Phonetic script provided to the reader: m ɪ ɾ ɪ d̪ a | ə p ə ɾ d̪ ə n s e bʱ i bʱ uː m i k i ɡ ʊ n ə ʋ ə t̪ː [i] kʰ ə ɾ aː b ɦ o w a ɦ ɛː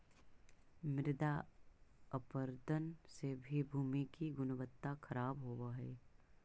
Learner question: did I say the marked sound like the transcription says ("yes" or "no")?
no